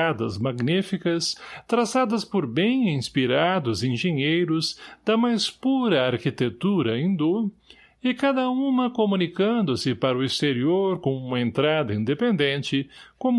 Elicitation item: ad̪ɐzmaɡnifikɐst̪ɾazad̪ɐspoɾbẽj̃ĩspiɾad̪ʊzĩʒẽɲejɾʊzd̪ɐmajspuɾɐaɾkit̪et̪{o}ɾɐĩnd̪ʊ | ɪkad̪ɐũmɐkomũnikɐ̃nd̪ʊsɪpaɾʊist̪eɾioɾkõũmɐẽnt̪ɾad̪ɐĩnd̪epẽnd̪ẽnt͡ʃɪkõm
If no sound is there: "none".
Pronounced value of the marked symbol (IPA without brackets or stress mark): u